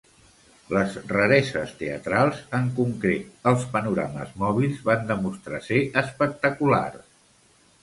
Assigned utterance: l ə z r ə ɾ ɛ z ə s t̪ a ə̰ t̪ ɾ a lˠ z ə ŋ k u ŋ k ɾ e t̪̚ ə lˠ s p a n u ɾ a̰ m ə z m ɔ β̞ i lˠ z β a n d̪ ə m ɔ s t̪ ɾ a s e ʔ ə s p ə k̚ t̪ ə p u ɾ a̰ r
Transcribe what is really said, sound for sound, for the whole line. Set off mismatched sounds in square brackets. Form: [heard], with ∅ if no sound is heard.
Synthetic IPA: l ə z r ə ɾ ɛ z ə s t̪ [e] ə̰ t̪ ɾ a lˠ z ə ŋ k u ŋ k ɾ e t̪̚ ə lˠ s p [ə] n u ɾ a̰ m ə z m ɔ β̞ i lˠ z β a n d̪ ə m [u] s t̪ ɾ a s e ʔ ə s p ə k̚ t̪ ə [k] u [l] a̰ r